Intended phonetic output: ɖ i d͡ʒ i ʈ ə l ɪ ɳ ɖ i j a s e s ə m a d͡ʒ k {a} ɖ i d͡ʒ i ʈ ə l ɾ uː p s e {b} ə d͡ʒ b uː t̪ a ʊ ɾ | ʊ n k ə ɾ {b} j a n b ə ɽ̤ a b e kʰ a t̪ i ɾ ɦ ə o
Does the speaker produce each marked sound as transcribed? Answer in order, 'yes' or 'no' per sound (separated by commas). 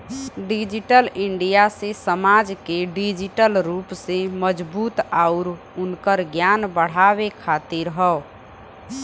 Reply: no, no, no